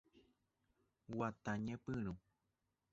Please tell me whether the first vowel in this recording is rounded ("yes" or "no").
no